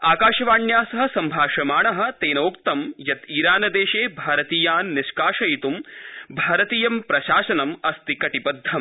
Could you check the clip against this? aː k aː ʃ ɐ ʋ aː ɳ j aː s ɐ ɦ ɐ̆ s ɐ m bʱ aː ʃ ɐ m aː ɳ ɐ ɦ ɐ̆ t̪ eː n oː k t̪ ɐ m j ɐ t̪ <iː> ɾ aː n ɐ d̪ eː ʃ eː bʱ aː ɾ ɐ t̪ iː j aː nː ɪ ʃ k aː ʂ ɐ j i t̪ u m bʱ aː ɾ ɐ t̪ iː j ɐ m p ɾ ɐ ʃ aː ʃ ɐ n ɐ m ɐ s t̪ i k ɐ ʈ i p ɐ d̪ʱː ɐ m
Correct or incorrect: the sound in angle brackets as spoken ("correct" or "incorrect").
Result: correct